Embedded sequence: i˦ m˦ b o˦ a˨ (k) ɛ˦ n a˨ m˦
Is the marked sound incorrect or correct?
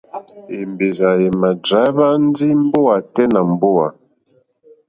incorrect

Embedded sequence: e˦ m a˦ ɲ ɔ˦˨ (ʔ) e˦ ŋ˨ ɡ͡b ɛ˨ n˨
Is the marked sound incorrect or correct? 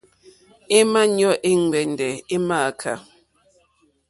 correct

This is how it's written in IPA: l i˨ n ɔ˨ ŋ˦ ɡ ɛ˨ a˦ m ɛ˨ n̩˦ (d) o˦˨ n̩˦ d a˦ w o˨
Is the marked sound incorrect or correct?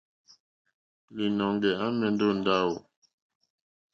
correct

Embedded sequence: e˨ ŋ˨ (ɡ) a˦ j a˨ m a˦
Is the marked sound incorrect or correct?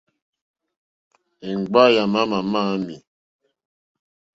incorrect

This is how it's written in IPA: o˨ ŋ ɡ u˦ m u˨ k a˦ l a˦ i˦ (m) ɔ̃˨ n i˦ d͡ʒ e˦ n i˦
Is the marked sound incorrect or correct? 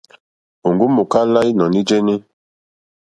incorrect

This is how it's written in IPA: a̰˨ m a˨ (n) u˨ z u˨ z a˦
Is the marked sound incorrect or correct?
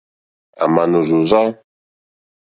correct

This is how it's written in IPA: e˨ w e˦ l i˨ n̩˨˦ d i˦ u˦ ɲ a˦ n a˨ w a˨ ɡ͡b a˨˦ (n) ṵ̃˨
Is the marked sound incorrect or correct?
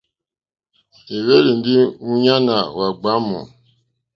incorrect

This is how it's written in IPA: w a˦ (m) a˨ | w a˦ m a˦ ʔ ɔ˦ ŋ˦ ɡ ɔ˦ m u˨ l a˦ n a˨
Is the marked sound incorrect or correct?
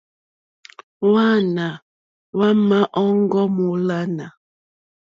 incorrect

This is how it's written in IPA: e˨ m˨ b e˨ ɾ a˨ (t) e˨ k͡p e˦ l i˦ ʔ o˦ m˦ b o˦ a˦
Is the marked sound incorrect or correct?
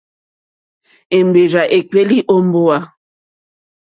incorrect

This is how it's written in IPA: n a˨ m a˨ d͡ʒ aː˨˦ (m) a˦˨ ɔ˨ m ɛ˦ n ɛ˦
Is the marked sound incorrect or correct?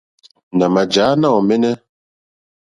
incorrect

